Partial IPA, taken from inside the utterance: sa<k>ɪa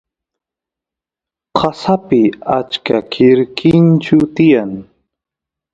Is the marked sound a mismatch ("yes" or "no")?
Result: yes